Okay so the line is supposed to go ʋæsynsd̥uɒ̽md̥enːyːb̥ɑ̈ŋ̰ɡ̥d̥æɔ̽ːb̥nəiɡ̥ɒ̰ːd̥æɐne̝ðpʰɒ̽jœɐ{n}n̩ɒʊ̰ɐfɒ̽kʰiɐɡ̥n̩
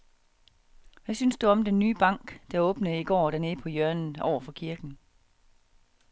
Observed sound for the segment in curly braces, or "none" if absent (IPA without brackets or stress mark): n